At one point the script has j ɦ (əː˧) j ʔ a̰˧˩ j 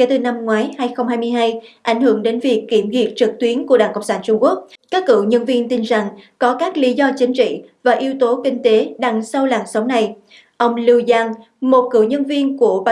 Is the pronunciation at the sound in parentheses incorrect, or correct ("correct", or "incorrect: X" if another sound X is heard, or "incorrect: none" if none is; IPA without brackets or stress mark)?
incorrect: aː˧